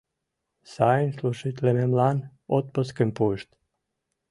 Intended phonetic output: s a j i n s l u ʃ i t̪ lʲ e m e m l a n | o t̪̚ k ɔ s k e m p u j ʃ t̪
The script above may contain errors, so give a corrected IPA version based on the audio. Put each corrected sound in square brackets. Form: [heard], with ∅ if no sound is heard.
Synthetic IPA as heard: s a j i n s l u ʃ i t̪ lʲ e m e m l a n | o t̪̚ [p] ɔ s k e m p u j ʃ t̪